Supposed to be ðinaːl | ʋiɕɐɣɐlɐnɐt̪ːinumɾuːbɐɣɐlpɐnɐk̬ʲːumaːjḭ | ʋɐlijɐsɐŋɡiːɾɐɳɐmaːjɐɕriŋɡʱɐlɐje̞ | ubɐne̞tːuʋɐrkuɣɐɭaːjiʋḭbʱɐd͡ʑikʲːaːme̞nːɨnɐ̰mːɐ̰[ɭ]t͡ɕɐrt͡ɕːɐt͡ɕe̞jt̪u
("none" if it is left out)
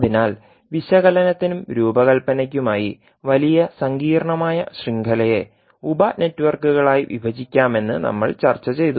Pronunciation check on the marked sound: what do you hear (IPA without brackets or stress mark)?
ɭ